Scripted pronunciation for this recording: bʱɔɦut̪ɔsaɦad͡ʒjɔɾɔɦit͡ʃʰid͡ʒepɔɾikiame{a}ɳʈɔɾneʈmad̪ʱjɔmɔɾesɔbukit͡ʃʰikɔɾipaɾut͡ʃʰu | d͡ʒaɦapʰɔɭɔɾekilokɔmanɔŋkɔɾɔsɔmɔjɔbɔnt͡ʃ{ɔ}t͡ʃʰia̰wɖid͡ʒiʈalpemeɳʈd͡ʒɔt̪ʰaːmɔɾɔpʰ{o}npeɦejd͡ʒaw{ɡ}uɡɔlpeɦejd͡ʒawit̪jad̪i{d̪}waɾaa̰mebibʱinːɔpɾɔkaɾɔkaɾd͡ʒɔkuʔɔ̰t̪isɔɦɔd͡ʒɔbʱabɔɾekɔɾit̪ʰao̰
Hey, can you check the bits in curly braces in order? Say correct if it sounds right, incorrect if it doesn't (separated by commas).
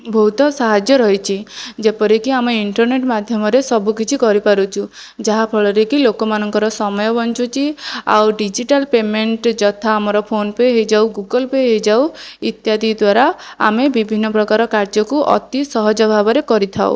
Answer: incorrect, incorrect, correct, correct, correct